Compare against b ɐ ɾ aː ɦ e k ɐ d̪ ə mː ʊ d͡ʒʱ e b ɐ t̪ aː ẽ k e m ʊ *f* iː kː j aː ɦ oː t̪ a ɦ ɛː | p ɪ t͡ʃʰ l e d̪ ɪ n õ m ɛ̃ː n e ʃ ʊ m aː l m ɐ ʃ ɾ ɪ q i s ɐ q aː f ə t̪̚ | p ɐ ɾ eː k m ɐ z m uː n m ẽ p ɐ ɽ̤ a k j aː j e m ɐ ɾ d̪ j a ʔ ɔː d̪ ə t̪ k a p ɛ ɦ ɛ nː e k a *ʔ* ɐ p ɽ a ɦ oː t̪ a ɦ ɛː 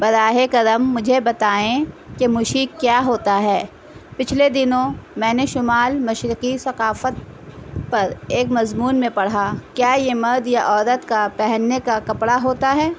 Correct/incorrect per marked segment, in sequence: incorrect: ʃ, incorrect: k

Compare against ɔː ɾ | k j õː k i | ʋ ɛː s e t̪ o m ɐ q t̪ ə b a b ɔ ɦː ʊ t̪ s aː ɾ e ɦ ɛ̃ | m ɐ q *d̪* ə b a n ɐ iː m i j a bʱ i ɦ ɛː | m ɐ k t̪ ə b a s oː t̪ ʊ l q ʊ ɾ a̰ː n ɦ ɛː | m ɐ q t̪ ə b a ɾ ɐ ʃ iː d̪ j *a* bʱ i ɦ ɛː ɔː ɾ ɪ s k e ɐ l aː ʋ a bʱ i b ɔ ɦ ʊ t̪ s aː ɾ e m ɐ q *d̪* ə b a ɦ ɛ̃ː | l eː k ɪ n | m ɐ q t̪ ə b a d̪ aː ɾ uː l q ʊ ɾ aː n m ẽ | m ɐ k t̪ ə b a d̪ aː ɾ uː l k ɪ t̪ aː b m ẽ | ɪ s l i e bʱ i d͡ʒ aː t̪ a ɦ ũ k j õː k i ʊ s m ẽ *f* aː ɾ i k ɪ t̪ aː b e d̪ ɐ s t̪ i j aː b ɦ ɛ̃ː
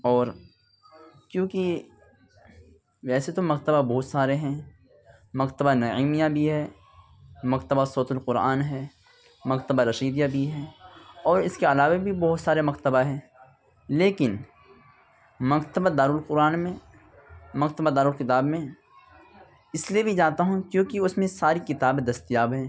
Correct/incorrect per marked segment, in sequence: incorrect: t̪, correct, incorrect: t̪, incorrect: s

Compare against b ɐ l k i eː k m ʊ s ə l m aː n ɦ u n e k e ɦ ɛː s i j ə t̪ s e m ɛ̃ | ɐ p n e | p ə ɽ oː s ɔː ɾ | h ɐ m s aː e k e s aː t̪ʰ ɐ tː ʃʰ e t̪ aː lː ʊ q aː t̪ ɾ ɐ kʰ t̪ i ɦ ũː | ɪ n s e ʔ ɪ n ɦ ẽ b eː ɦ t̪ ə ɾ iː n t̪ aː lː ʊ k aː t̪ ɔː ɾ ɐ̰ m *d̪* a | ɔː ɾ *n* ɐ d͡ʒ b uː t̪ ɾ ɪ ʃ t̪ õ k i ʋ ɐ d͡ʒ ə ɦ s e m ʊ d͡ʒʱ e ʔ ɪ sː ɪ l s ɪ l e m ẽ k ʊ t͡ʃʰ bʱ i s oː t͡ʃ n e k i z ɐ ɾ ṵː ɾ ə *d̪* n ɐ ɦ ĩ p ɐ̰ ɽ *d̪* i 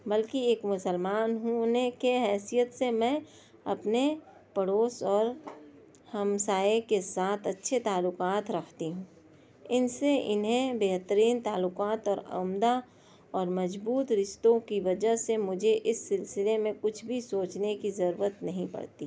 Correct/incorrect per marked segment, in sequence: correct, incorrect: m, incorrect: t̪, incorrect: t̪

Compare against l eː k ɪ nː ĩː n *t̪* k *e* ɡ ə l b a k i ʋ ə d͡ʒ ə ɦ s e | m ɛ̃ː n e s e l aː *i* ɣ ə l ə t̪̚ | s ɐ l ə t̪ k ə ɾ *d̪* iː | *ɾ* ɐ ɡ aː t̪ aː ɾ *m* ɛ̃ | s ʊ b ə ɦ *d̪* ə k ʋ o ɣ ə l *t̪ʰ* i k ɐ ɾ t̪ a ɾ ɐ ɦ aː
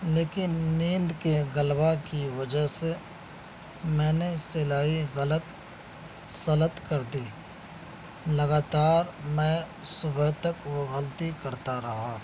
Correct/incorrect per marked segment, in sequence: incorrect: d̪, correct, correct, correct, incorrect: l, correct, incorrect: t̪, incorrect: t̪

